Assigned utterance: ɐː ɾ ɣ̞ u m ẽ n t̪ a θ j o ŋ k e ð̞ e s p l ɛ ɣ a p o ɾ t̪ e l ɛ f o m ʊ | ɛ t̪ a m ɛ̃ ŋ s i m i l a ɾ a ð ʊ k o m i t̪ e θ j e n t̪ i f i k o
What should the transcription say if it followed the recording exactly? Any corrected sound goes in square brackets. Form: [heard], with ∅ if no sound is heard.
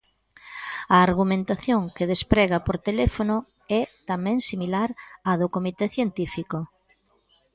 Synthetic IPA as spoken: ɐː ɾ ɣ̞ u m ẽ n t̪ a θ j o ŋ k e ð̞ e s p [ɾ] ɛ ɣ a p o ɾ t̪ e l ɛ f o [n] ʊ | ɛ t̪ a m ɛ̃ ŋ s i m i l a ɾ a ð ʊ k o m i t̪ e θ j e n t̪ i f i k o